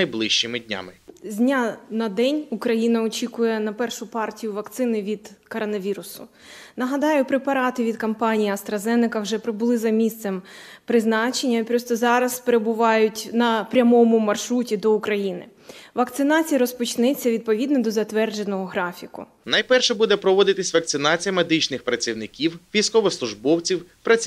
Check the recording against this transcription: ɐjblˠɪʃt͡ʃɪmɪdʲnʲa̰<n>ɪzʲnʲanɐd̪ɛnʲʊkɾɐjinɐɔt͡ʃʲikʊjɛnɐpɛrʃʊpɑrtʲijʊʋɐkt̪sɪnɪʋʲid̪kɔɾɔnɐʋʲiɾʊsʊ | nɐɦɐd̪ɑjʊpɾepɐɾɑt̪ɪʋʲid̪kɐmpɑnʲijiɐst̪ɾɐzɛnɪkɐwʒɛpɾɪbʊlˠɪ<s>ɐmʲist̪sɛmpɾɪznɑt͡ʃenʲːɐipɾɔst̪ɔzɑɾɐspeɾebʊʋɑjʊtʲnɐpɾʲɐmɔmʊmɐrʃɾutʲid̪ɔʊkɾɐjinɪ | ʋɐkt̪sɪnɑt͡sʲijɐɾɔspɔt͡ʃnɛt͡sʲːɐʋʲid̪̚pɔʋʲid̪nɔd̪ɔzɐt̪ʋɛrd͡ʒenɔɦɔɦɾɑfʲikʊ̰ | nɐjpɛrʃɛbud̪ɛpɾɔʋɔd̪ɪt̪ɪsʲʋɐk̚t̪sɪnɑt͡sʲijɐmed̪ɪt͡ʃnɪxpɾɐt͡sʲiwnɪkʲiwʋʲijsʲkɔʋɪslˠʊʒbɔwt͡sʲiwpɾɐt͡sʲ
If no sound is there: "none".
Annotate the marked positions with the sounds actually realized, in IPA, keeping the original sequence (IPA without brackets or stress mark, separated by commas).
m, z